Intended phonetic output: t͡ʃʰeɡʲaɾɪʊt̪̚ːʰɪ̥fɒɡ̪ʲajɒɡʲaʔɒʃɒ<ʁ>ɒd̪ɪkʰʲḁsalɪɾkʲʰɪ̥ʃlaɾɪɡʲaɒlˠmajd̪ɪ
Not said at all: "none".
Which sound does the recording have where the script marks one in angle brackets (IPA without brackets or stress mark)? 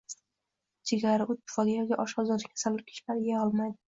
z